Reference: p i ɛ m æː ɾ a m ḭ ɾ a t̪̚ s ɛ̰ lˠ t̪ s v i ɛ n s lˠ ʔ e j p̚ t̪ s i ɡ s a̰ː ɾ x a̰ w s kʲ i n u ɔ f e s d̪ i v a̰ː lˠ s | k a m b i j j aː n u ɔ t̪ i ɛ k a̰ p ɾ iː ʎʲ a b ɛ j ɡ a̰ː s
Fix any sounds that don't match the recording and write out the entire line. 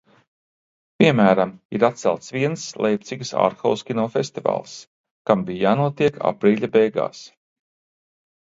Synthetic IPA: p i ɛ m æː ɾ a m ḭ ɾ a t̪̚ s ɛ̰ lˠ t̪ s v i ɛ n s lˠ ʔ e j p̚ t̪ s i ɡ s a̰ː ɾ x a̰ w s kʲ i n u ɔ f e s t̪ i v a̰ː lˠ s | k a m b i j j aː n u ɔ t̪ i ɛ k a̰ p ɾ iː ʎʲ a b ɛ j ɡ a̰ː s